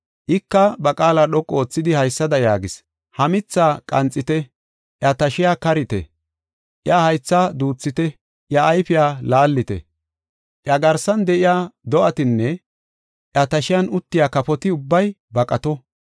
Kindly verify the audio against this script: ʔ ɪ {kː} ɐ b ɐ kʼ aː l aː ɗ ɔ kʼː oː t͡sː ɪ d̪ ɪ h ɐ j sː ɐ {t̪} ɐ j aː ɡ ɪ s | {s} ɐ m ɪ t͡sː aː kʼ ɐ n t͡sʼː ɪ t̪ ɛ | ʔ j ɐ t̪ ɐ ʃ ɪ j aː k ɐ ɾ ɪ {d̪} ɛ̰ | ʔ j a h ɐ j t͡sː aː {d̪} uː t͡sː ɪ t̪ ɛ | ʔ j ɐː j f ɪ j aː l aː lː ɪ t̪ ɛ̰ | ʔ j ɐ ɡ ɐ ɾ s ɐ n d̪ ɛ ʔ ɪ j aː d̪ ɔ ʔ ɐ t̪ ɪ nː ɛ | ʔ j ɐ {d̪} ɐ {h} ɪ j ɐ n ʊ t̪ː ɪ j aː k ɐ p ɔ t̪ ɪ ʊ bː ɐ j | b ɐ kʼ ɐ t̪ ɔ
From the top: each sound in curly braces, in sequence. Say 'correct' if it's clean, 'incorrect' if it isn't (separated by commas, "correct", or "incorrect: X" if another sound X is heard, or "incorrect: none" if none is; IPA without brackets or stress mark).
correct, incorrect: d̪, incorrect: h, incorrect: t̪, correct, incorrect: t̪, incorrect: ʃ